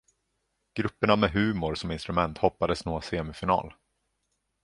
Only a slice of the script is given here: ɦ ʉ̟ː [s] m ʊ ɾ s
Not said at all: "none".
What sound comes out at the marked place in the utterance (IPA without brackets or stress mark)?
none